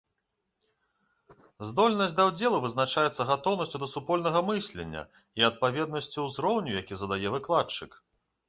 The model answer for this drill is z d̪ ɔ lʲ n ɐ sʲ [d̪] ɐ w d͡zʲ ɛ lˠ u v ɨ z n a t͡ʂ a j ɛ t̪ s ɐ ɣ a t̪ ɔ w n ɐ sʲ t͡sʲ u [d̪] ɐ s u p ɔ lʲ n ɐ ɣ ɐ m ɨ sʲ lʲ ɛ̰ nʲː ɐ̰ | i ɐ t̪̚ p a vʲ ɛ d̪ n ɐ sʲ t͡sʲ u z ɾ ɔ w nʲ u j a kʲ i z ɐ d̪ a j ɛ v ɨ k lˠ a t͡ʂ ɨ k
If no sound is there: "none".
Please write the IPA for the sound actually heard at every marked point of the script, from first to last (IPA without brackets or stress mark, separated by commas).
d̪, d̪